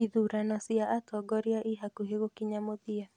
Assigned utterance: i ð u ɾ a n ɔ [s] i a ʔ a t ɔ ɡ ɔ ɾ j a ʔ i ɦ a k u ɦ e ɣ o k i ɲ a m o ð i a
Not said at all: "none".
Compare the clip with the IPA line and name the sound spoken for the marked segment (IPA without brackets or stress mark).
s